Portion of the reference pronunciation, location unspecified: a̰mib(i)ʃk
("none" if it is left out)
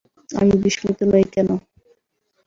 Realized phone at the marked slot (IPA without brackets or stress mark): i